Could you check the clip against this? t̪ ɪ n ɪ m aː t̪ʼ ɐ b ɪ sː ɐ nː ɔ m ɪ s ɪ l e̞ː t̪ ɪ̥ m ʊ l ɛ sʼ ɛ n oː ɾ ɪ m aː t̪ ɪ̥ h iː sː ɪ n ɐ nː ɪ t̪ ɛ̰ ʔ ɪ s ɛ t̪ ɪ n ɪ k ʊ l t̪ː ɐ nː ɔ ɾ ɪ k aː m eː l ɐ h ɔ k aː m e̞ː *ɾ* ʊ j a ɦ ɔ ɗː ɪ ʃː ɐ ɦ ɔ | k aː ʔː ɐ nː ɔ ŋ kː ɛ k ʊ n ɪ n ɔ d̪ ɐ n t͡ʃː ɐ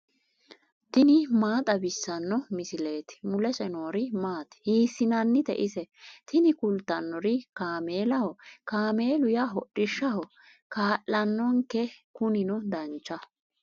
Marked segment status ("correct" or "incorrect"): incorrect